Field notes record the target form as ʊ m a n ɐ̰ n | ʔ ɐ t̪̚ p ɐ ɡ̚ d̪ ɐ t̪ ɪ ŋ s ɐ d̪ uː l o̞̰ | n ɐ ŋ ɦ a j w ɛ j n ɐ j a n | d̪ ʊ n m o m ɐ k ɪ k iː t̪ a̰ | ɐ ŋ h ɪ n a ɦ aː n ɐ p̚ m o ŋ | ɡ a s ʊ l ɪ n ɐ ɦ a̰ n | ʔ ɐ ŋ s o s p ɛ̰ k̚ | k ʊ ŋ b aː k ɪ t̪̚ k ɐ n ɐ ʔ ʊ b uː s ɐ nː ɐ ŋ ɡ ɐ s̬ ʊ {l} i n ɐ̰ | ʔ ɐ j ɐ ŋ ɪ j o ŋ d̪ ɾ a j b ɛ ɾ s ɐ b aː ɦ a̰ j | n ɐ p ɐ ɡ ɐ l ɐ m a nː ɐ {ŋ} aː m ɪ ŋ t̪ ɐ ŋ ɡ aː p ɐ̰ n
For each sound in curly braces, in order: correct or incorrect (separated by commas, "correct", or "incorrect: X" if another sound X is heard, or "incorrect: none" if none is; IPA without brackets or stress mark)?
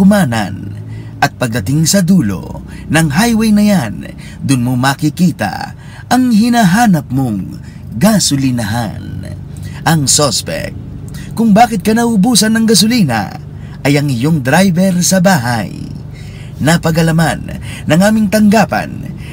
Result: correct, correct